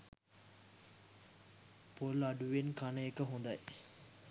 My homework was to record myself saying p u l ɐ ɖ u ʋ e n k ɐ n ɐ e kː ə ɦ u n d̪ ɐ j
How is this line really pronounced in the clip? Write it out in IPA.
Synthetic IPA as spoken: p o l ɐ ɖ u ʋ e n k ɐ n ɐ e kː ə ɦ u n d̪ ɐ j